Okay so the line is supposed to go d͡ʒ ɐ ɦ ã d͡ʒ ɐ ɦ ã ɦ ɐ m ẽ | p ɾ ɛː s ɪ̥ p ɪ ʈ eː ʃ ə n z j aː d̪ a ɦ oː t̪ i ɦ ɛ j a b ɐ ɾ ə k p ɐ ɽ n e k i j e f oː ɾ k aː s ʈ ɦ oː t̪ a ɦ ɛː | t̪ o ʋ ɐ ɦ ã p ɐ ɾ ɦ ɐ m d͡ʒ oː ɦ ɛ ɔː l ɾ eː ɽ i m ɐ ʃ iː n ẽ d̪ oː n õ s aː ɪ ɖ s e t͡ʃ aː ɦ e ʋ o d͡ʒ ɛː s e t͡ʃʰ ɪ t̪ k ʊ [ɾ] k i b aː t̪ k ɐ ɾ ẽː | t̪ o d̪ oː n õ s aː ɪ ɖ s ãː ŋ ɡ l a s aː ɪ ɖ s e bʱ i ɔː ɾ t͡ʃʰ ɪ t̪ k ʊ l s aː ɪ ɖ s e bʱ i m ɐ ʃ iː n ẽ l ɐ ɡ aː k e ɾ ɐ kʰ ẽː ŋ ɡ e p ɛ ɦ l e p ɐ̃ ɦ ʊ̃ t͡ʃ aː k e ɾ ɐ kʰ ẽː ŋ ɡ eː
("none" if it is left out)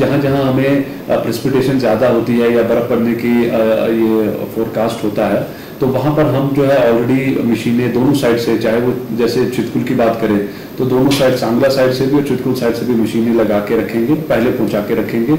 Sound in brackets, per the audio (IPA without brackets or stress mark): l